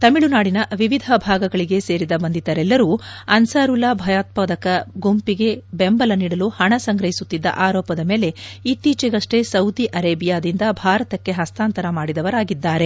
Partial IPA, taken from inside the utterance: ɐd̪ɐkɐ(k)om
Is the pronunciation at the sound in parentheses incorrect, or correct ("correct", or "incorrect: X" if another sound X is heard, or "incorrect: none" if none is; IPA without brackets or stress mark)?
incorrect: ɡ